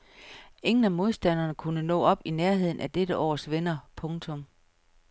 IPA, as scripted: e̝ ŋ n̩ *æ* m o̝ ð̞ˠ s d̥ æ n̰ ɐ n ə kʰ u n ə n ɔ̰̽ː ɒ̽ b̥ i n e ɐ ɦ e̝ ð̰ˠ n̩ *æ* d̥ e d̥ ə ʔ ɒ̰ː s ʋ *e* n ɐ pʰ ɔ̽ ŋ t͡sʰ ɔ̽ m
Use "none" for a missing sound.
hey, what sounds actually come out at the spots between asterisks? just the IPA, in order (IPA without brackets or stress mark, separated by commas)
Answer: æ, æ, e